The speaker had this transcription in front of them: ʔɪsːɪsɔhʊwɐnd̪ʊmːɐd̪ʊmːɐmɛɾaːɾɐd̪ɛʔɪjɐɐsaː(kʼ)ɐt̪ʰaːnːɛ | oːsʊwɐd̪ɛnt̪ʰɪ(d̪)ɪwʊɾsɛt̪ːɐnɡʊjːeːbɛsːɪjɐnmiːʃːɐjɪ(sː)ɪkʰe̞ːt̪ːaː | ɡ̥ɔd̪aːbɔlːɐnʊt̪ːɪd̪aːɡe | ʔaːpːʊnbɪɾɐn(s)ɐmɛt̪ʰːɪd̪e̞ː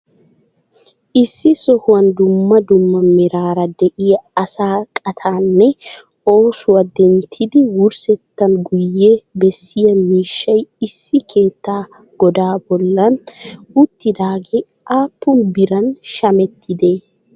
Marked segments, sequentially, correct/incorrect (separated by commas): correct, correct, correct, incorrect